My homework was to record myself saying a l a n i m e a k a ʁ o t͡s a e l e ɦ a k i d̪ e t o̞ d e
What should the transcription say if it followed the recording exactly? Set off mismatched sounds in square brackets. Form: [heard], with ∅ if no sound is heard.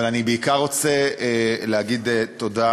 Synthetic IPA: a l a n i [b] e [i] k a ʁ o t͡s [e] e l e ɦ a [ɡ] i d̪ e t o̞ d [a]

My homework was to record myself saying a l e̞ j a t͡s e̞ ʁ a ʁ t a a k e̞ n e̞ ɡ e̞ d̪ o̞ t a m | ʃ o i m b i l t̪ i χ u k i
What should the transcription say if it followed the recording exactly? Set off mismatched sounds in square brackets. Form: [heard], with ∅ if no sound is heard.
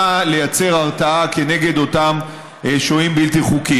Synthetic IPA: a l e̞ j a t͡s e̞ ʁ a ʁ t a a k e̞ n e̞ ɡ e̞ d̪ o̞ t a m | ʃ o i m b i l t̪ i χ u k i

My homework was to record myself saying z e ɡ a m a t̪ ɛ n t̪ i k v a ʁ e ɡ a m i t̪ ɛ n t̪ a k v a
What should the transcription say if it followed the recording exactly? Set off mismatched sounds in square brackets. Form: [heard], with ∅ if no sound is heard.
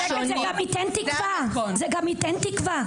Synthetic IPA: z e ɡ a m [i] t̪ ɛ n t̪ i k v a [z] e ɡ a m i t̪ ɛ n t̪ [i] k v a

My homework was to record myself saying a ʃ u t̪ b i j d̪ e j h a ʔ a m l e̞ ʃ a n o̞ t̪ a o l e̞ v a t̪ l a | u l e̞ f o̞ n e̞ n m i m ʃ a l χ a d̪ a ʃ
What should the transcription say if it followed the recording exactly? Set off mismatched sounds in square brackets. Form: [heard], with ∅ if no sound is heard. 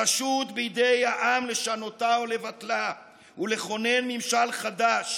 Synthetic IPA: a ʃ u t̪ b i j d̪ e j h a ʔ a m l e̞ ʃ a n o̞ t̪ a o l e̞ v a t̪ l a | u l e̞ [χ] o̞ n e̞ n m i m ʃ a l χ a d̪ a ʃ

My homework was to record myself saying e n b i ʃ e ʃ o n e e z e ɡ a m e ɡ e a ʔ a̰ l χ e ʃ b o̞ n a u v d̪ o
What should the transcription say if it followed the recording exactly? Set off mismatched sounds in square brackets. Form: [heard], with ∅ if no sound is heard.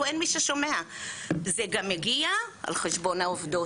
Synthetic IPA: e n [m] i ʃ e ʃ o [m] e [a] z e ɡ a m e ɡ [i] a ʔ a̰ l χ e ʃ b o̞ n a [o] v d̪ o

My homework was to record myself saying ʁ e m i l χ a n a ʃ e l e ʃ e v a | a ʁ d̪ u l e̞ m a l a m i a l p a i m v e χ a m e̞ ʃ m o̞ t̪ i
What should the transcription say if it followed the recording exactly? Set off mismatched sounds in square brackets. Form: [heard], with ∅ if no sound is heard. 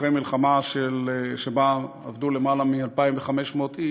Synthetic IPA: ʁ e m i l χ a [m] a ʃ e l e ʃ e [b] a | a [v] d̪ u l e̞ m a l a m i a l p a i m v e χ a m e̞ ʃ m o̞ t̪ i

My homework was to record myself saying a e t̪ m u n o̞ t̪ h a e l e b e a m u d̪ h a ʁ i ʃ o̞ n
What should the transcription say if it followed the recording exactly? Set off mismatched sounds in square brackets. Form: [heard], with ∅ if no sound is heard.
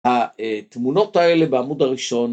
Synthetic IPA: a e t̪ m u n o̞ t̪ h a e l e b e a m u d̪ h a ʁ i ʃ o̞ n

